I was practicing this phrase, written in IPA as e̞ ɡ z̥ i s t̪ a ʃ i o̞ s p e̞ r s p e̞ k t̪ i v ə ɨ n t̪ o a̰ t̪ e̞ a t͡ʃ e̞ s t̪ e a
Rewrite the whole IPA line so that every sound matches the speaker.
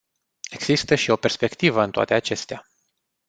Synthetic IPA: e̞ ɡ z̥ i s t̪ ə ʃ i o̞ p e̞ r s p e̞ k t̪ i v ə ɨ n t̪ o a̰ t̪ e̞ a t͡ʃ e̞ s t̪ e a